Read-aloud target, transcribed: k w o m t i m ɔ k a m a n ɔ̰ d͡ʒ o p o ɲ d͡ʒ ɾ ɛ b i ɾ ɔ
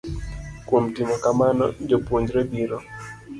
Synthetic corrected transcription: k w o m t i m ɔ k a m a n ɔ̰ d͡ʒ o p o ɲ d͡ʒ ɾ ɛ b i ɾ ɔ